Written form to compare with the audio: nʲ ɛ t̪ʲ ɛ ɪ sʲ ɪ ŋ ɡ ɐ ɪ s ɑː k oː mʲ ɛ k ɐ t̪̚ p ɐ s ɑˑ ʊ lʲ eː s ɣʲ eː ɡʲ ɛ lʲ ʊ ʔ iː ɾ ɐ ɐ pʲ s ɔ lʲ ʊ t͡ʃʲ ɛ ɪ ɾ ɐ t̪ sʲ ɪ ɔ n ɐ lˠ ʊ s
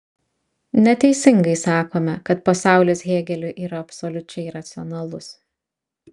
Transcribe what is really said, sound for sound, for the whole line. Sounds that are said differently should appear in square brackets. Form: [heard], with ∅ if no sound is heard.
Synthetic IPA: nʲ ɛ t̪ʲ ɛ ɪ sʲ ɪ ŋ ɡ ɐ ɪ s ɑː k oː mʲ ɛ k ɐ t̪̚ p ɐ s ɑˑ ʊ lʲ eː s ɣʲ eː ɡʲ ɛ lʲ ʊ ʔ iː ɾ ɐ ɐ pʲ s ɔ lʲ ʊ t͡ʃʲ ɛ ɪ ɾ ɐ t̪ sʲ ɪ ɔ n ɐ lˠ ʊ s